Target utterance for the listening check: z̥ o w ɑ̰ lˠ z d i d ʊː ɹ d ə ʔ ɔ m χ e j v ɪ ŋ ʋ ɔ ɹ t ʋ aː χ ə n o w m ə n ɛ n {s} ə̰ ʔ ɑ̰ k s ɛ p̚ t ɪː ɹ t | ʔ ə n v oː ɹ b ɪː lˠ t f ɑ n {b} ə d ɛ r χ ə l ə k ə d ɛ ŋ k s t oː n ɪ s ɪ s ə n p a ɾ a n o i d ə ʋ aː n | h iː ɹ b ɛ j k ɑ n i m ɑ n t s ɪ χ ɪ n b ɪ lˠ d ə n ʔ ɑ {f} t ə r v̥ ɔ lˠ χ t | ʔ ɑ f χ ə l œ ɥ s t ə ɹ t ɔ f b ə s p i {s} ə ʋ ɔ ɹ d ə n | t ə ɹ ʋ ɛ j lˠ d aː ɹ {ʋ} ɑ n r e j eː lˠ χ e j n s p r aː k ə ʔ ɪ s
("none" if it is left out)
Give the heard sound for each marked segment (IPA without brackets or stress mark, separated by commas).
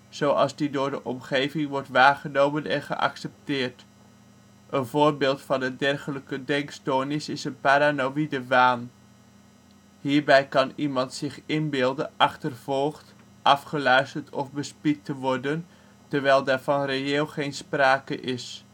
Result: χ, d, χ, t, v